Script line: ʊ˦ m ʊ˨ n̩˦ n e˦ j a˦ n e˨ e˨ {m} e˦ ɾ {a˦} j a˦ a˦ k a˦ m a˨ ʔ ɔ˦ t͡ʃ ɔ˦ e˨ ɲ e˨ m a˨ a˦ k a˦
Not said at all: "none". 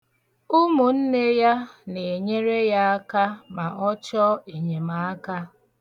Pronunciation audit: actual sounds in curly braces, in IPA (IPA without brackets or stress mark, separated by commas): ɲ, e˦